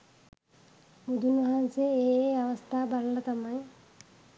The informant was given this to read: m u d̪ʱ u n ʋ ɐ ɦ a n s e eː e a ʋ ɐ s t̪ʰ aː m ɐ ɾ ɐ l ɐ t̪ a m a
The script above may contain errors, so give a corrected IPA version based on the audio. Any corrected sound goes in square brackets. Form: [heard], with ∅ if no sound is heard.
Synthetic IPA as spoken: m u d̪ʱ u n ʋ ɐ ɦ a n s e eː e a ʋ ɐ s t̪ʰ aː [b] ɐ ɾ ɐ l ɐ t̪ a m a